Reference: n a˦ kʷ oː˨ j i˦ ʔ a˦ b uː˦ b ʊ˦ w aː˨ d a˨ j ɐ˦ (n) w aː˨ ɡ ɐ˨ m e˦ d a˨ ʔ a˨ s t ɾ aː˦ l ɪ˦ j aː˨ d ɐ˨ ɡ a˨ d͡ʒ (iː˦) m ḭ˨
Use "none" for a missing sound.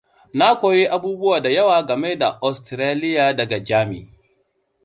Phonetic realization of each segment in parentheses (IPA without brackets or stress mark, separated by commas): none, aː˦